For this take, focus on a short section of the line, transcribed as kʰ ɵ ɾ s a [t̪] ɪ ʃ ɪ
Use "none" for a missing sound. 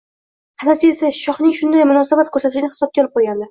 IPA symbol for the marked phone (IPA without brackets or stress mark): t̪